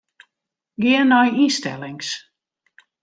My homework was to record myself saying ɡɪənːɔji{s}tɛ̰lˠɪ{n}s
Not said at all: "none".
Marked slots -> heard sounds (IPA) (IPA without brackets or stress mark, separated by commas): s, ŋ